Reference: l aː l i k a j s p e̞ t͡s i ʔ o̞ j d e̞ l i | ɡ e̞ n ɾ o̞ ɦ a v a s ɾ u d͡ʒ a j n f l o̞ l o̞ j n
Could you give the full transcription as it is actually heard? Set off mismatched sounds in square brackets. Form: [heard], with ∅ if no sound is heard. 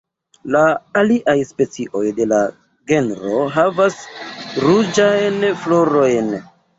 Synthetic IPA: l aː l i [ʔ] a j s p e̞ t͡s i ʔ o̞ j d e̞ l [a] | ɡ e̞ n ɾ o̞ ɦ a v a s ɾ u d͡ʒ a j n f l o̞ [ɾ] o̞ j n